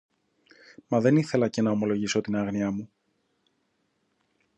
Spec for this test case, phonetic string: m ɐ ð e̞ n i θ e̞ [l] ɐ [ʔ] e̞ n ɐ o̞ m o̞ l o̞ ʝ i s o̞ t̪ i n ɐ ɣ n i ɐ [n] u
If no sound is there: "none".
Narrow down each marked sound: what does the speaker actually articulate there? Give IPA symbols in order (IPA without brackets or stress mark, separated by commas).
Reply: l, c, m